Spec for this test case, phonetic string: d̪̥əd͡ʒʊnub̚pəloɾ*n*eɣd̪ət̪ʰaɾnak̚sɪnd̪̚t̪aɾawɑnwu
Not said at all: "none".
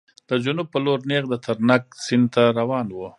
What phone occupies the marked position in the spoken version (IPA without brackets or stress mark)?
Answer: n